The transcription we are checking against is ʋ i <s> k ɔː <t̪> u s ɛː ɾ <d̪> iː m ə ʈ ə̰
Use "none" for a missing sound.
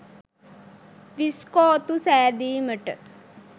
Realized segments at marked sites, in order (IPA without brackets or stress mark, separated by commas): s, t̪, d̪